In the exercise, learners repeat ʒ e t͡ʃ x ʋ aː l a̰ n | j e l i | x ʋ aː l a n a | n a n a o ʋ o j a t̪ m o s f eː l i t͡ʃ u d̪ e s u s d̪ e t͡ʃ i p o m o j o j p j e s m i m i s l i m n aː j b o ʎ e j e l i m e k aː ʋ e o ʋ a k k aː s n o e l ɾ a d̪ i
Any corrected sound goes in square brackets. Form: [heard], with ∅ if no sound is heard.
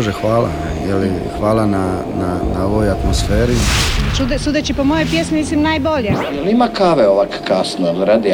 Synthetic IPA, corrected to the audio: ʒ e [∅] x ʋ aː l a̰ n | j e l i | x ʋ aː l a n a | n a n a o ʋ o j a t̪ m o s f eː [ɾ] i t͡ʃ u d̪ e s u [∅] d̪ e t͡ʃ i p o m o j o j p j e s m i m i s l i m n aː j b o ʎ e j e l i m [a] k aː ʋ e o ʋ a k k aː s n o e l ɾ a d̪ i